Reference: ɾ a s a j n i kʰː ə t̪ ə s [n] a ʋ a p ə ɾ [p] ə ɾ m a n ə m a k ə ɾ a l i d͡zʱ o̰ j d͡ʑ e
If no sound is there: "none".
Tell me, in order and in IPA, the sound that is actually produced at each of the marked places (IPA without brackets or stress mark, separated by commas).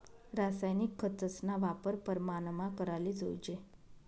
n, p